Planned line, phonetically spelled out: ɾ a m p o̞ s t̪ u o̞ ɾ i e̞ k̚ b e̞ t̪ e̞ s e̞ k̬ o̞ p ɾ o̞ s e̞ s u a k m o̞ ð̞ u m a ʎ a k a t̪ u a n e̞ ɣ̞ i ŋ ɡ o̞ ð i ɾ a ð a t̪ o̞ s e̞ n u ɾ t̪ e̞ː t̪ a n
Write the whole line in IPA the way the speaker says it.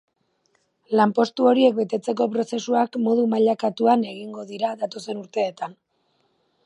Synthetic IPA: l a m p o̞ s t̪ u o̞ ɾ i e̞ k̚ b e̞ t̪ e̞ t͡s e̞ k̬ o̞ p ɾ o̞ s e̞ s u a k m o̞ ð̞ u m a ʎ a k a t̪ u a n e̞ ɣ̞ i ŋ ɡ o̞ ð i ɾ a ð a t̪ o̞ s e̞ n u ɾ t̪ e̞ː t̪ a n